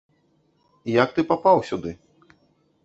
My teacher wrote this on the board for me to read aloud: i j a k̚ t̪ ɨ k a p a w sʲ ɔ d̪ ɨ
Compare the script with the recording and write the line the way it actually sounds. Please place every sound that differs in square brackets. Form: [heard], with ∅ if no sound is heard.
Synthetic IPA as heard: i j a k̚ t̪ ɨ [p] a p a w sʲ [u] d̪ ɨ